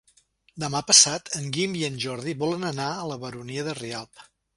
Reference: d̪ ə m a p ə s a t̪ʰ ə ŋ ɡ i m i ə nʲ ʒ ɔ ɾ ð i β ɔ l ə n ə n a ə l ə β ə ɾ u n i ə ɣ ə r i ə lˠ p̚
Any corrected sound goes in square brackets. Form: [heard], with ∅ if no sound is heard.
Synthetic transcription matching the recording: d̪ ə m a p ə s a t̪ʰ ə ŋ ɡ i m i ə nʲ ʒ ɔ ɾ ð i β ɔ l ə n ə n a ə l ə β ə ɾ u n i ə [ð] ə r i [a] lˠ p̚